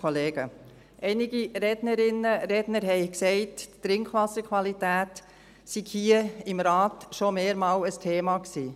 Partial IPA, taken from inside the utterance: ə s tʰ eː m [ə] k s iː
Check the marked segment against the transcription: incorrect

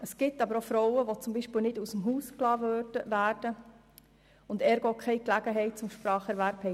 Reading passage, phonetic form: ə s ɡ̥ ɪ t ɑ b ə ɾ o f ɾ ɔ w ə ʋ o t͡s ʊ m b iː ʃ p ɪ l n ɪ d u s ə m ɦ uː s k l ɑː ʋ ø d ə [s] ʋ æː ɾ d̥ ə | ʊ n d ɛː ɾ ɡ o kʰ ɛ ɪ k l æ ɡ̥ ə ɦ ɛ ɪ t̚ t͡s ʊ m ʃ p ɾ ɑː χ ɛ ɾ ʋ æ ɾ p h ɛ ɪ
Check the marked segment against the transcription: incorrect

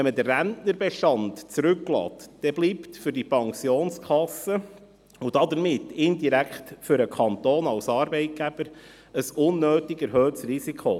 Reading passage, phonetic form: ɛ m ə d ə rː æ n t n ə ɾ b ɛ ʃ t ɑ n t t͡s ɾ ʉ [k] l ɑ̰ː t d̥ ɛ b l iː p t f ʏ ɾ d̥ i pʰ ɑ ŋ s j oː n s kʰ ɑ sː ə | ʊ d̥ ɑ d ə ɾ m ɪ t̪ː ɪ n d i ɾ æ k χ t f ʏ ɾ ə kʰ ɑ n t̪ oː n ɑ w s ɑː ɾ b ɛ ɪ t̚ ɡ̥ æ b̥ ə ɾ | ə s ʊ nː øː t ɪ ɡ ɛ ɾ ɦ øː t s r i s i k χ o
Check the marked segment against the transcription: correct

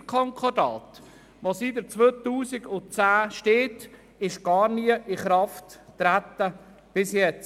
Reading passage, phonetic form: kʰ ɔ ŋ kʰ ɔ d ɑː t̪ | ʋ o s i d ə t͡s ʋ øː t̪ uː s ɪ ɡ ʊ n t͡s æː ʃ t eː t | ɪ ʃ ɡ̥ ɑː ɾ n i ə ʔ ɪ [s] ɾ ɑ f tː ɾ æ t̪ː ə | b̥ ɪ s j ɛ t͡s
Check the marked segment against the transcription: incorrect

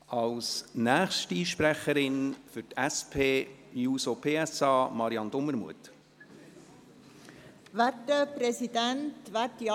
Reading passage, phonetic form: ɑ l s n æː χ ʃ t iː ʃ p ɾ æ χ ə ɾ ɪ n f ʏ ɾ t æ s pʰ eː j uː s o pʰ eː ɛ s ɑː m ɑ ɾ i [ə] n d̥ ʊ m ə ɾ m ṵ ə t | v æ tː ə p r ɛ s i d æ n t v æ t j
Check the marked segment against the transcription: incorrect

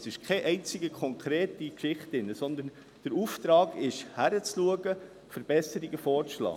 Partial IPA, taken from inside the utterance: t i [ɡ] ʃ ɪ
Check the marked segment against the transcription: incorrect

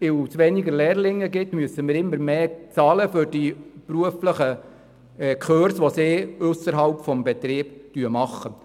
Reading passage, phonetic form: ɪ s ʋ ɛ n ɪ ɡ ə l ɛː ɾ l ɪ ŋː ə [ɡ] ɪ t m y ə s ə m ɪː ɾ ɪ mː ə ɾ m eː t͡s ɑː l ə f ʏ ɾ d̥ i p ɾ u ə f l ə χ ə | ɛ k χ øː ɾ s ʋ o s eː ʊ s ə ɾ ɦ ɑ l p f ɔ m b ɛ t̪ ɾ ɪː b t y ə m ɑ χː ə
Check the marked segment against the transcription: correct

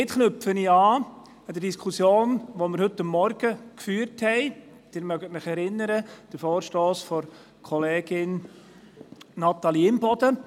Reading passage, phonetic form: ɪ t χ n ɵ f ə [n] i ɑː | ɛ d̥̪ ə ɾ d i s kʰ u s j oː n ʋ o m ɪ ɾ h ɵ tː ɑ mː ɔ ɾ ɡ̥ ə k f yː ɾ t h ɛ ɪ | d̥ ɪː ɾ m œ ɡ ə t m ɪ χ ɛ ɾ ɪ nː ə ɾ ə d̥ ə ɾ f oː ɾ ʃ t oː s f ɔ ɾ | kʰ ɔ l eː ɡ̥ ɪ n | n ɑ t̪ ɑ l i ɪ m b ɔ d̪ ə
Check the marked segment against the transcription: correct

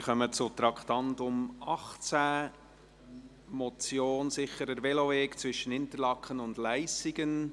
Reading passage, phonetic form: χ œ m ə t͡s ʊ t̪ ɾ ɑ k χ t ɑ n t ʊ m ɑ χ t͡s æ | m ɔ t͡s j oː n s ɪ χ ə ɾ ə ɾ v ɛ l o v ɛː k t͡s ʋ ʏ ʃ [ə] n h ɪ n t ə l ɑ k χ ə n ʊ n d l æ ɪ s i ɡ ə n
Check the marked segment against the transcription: correct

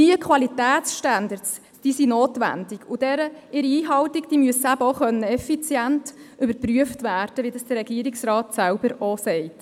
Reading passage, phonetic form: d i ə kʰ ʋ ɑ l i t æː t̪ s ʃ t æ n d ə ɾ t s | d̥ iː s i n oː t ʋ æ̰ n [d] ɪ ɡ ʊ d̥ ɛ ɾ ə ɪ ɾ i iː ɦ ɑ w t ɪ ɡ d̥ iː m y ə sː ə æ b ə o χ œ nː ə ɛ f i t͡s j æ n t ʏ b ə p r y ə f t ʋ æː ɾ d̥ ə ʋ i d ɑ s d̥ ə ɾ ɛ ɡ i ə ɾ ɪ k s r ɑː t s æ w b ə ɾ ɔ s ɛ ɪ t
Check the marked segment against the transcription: correct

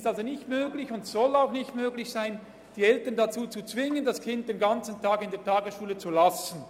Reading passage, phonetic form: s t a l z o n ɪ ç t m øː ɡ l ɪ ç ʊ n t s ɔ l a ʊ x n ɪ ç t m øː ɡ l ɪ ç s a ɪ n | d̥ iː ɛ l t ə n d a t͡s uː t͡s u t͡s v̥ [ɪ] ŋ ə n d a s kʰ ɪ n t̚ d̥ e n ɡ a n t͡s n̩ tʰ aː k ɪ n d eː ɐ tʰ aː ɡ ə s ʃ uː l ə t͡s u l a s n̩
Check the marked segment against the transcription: correct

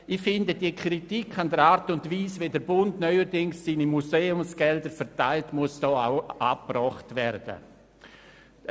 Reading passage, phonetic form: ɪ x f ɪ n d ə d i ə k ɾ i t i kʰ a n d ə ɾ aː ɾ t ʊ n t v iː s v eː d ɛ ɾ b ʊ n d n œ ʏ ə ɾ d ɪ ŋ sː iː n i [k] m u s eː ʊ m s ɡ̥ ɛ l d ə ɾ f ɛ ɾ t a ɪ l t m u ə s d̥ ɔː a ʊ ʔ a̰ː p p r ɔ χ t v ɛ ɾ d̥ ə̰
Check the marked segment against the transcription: incorrect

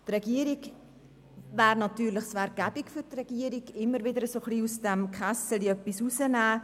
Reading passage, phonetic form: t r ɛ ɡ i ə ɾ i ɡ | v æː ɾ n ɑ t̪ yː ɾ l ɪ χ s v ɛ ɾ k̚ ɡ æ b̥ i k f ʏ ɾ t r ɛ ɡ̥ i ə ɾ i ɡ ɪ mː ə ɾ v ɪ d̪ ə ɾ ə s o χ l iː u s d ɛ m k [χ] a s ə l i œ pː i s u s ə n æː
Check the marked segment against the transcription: correct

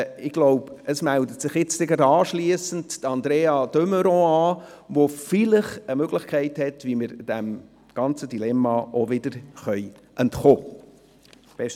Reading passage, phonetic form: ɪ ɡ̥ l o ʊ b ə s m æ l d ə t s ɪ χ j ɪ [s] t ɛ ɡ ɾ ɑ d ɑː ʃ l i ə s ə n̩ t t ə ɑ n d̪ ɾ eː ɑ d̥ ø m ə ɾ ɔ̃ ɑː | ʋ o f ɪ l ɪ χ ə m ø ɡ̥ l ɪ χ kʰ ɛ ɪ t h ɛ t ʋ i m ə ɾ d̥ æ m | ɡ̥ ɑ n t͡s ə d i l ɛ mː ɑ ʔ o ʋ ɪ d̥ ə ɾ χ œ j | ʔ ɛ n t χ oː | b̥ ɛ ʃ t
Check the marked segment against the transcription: incorrect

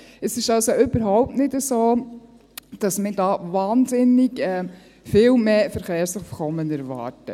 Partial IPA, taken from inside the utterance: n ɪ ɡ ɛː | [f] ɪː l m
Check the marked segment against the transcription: correct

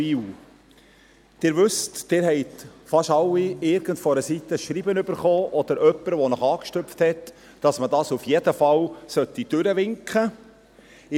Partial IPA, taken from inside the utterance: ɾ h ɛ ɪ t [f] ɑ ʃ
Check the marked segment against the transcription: correct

